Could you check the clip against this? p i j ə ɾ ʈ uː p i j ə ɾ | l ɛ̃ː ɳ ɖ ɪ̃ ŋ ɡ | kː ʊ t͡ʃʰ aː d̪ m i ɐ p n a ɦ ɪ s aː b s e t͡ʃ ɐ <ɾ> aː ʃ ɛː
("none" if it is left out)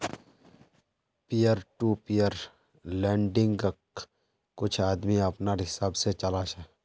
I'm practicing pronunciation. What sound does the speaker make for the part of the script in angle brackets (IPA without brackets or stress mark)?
l